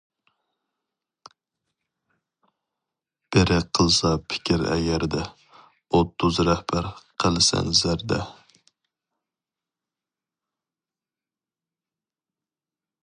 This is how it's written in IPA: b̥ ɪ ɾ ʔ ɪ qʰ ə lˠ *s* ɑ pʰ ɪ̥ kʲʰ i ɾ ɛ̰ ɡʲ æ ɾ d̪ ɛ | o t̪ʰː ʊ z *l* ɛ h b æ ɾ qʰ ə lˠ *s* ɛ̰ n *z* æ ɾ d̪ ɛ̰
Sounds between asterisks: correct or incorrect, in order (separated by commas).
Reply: correct, incorrect, correct, correct